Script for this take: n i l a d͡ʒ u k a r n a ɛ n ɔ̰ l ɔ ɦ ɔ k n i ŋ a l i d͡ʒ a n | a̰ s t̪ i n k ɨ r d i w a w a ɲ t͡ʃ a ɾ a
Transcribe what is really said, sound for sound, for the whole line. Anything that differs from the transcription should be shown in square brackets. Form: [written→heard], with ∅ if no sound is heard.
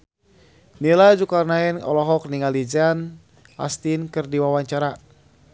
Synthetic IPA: n i l a d͡ʒ u k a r n a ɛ n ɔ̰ l ɔ ɦ ɔ k n i ŋ a l i d͡ʒ a n | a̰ s t̪ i n k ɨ r d i w a w a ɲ t͡ʃ a ɾ a